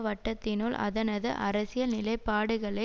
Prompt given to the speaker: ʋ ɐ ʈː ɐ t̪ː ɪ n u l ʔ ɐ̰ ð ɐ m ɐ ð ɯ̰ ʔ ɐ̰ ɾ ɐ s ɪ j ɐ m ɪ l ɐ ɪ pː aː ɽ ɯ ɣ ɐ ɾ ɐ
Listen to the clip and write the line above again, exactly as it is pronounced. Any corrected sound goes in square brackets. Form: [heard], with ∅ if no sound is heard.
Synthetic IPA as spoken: ʋ ɐ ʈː ɐ t̪ː ɪ n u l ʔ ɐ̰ ð ɐ [n] ɐ ð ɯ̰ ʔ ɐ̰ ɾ ɐ s ɪ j ɐ [n] ɪ l ɐ ɪ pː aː ɽ ɯ ɣ ɐ [ɭ] ɐ